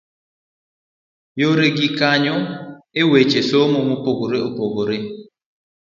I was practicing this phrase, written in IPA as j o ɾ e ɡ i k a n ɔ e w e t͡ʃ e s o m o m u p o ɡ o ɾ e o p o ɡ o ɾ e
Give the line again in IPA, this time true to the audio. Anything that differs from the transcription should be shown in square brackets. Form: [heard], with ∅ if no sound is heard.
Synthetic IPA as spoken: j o ɾ e ɡ i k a [ɲ] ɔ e w e t͡ʃ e s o m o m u p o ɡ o ɾ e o p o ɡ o ɾ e